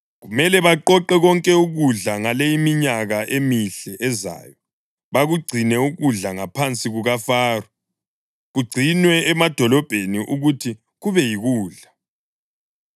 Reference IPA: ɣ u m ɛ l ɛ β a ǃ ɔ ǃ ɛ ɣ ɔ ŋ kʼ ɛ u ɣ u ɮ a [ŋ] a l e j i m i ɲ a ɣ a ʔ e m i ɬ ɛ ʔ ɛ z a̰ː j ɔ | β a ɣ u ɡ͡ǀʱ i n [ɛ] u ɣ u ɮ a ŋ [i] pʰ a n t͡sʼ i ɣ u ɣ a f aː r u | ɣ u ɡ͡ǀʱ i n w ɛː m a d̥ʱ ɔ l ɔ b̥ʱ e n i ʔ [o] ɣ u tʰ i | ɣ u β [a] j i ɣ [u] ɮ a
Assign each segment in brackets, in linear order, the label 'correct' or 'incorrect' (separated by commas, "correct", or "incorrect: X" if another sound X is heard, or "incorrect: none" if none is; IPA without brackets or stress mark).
correct, correct, incorrect: a, incorrect: u, incorrect: ɛ, incorrect: uː